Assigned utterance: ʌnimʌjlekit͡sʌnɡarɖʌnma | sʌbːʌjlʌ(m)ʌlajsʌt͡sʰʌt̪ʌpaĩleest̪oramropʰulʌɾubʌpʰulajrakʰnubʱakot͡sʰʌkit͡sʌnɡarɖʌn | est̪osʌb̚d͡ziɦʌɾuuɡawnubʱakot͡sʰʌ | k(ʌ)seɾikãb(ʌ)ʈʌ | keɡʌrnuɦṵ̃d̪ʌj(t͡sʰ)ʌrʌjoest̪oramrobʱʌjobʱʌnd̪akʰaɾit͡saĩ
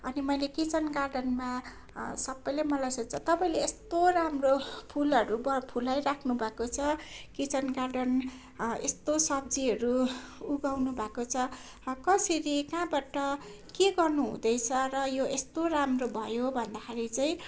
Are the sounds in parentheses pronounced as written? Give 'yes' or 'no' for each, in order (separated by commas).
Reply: yes, yes, no, yes